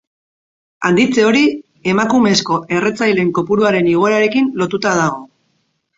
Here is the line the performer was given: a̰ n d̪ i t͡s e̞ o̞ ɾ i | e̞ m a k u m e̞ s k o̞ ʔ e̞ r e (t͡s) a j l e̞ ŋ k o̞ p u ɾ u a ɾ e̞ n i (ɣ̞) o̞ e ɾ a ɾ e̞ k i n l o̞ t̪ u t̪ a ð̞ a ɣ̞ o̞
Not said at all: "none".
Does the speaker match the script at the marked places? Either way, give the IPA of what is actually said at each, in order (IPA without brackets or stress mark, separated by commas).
t͡s, ɣ̞